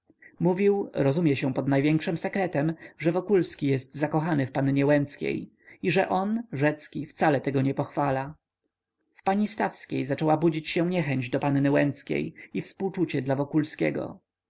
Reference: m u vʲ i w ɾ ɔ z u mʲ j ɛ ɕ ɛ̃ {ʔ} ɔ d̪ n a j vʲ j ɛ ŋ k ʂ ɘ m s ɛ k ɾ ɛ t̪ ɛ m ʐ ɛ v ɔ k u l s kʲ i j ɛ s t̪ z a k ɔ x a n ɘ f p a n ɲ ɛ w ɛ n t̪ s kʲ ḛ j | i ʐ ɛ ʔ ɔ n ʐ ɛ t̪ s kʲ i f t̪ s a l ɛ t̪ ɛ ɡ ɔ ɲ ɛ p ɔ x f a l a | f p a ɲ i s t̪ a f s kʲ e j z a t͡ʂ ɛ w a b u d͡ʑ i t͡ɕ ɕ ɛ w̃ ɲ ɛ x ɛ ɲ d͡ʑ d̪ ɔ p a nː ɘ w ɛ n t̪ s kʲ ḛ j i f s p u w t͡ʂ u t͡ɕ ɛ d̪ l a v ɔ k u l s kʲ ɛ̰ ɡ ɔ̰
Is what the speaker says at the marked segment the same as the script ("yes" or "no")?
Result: no